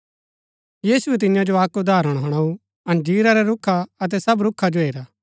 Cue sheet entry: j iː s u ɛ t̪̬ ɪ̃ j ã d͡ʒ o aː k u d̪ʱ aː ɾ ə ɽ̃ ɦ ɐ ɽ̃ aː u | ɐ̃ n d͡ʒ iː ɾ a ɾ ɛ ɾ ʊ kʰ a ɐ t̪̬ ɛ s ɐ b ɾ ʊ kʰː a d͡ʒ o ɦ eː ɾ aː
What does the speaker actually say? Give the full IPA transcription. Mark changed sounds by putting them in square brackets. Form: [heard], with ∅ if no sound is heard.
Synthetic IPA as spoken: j iː s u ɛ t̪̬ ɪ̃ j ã d͡ʒ o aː k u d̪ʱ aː ɾ ə ɽ̃ ɦ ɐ ɽ̃ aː u | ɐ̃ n d͡ʒ iː ɾ a ɾ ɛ ɾ ʊ kʰ a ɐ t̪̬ ɛ s ɐ b ɾ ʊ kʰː a d͡ʒ o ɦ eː ɾ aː